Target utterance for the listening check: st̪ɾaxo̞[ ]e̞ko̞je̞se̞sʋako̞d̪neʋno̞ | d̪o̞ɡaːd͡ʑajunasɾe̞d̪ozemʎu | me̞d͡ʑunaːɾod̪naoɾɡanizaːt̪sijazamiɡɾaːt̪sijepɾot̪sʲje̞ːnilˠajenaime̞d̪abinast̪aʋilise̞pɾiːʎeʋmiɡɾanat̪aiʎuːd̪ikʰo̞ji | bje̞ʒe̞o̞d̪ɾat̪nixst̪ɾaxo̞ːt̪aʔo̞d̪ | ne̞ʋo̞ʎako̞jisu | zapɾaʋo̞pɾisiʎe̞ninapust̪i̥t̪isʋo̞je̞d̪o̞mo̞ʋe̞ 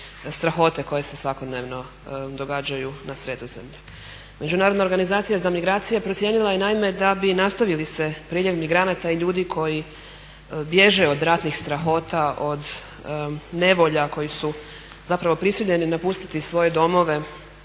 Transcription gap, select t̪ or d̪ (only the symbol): t̪